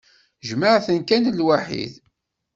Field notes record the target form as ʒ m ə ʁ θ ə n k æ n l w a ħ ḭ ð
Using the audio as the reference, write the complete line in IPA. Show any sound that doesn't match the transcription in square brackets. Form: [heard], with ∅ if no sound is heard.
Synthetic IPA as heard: ʒ m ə [ʕ] θ ə n k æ n l w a ħ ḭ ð